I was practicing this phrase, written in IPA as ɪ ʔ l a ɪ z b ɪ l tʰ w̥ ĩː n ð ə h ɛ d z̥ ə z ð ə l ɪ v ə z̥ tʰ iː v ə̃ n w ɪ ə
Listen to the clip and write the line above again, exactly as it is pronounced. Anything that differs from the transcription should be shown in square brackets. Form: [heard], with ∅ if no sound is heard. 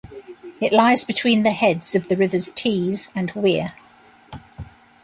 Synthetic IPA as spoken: ɪ ʔ l a ɪ z b ɪ [∅] tʰ w̥ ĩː n ð ə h ɛ d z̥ ə [v] ð ə [ɹ] ɪ v ə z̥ tʰ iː [z] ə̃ n w ɪ ə